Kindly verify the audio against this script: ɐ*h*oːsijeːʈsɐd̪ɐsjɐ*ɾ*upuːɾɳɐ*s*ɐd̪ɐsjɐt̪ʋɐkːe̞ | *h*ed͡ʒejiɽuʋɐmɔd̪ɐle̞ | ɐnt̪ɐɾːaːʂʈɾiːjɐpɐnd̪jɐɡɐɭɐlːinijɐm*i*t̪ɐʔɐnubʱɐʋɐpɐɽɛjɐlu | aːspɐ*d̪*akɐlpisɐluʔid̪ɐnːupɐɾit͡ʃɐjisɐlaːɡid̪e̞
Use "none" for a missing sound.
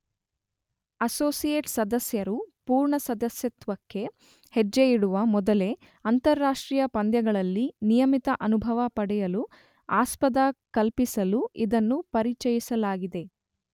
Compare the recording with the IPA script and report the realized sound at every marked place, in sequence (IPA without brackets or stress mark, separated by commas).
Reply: s, ɾ, s, h, i, d̪